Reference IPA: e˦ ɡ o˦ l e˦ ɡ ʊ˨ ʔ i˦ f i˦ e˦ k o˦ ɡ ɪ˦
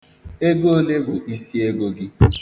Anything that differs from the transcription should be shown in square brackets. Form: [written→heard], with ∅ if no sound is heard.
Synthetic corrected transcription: e˦ ɡ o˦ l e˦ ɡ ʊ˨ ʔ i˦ [f→s] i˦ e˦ [k→ɡ] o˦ ɡ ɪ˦